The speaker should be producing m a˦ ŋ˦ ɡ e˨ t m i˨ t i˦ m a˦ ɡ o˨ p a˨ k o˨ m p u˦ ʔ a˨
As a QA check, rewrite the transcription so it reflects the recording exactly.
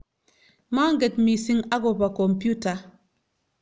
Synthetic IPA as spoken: m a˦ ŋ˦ ɡ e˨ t m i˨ s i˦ ŋ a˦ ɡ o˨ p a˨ k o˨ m p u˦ t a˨